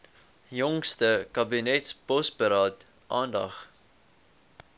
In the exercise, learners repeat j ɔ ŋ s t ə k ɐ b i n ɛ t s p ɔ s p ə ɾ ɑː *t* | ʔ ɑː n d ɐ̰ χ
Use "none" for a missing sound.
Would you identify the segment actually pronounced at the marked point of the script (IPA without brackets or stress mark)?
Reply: t